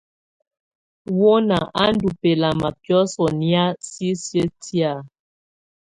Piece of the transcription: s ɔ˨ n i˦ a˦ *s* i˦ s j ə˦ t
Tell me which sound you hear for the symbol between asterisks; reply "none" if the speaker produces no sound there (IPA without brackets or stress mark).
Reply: s